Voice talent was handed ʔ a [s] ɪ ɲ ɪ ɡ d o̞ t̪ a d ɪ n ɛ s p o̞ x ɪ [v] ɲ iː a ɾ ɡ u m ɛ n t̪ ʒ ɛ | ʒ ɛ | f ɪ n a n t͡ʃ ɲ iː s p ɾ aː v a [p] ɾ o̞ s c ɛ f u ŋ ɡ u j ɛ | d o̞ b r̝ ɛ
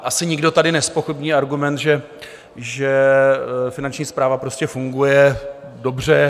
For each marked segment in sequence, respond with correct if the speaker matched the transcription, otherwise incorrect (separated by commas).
correct, incorrect, correct